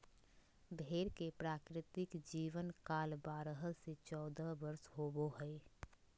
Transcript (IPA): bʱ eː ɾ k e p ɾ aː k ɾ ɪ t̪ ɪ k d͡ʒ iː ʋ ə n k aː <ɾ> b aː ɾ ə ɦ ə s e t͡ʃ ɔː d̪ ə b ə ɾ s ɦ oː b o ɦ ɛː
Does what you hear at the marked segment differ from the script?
yes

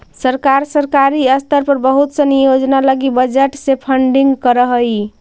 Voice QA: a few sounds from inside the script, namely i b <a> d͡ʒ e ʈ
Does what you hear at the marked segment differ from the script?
yes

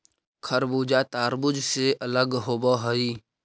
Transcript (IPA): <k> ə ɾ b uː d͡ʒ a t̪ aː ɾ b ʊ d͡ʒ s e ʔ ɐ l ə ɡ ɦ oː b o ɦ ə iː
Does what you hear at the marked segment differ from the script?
yes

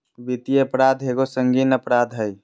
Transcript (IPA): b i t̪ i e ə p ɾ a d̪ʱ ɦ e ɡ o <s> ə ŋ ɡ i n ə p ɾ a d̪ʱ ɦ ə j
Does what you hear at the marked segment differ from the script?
no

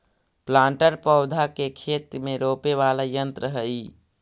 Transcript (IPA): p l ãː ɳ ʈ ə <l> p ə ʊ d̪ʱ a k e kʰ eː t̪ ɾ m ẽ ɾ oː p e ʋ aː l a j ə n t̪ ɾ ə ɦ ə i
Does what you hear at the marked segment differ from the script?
yes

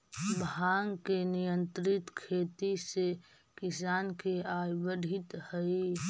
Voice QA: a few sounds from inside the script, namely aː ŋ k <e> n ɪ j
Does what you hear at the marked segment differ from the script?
no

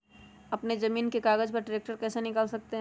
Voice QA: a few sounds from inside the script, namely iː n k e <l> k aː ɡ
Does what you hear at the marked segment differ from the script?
yes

